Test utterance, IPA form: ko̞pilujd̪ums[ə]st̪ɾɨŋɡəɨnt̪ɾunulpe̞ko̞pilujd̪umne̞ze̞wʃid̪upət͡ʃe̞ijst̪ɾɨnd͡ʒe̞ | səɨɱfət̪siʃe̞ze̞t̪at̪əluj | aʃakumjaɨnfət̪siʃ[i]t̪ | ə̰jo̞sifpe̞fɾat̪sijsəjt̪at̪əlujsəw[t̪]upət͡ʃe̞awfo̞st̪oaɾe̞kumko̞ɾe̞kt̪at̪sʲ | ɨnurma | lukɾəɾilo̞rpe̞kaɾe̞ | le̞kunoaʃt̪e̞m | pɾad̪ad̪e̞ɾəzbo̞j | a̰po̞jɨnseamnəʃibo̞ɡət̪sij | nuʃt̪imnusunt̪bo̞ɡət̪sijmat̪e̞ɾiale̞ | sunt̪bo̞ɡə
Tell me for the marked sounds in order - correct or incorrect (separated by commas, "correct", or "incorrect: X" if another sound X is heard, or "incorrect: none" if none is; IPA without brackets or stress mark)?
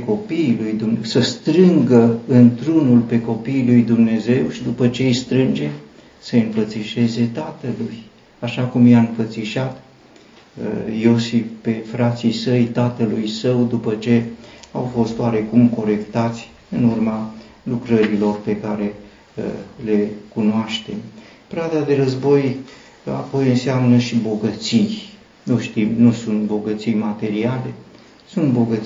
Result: correct, incorrect: a, incorrect: d̪